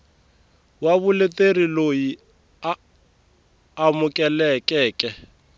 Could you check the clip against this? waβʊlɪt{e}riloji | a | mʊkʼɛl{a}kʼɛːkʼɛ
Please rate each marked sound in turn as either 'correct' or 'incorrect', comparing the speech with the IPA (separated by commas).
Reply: correct, incorrect